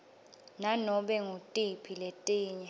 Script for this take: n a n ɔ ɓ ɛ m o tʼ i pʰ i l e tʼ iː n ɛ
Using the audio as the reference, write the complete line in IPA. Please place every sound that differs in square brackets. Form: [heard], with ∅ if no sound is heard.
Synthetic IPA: n a n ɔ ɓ ɛ [ŋ] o tʼ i pʰ i l e tʼ iː [ɲ] ɛ